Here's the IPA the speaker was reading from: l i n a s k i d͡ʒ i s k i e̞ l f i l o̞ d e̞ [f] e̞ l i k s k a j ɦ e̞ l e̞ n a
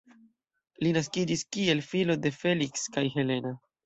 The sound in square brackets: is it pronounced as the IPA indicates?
yes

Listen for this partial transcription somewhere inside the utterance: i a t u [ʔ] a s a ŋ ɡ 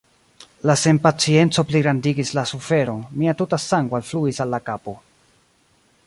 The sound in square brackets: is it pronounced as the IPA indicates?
no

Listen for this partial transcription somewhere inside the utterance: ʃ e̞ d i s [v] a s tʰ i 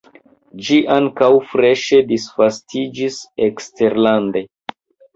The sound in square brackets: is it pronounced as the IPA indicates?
no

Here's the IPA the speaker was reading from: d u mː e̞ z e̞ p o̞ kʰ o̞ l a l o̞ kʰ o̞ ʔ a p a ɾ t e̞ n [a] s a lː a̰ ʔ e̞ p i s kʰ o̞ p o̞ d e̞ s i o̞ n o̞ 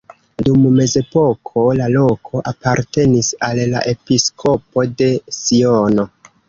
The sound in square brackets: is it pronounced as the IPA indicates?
no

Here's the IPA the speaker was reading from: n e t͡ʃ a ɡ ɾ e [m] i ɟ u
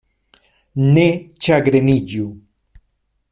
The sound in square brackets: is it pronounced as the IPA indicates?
no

